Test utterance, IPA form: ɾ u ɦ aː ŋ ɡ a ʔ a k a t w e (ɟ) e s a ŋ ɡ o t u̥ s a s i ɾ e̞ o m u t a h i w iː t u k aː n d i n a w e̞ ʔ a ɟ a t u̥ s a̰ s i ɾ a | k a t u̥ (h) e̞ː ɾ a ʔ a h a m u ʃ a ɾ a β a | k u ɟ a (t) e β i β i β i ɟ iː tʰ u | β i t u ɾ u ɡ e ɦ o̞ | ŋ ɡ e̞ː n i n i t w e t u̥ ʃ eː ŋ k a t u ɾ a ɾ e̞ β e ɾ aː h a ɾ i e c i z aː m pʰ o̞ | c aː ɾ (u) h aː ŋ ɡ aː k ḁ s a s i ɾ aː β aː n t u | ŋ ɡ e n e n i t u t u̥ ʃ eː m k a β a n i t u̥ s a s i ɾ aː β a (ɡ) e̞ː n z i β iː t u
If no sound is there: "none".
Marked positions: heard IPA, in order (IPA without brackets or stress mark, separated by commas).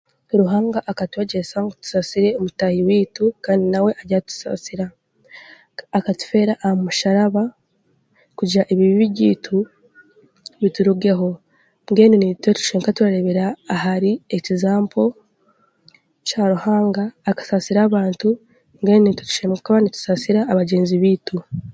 ɟ, f, ʔ, u, ɟ